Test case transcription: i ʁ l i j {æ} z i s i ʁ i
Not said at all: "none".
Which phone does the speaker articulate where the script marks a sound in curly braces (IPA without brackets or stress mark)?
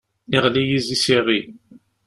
i